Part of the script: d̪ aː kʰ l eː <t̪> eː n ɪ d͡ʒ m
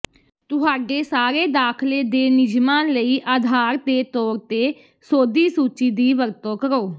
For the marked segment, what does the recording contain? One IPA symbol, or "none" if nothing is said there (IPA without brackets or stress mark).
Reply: d̪